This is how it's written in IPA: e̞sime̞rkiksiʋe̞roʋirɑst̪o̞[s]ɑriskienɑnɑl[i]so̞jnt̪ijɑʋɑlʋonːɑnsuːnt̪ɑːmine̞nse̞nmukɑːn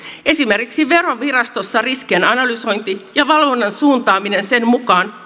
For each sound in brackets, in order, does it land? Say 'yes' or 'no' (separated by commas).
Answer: no, no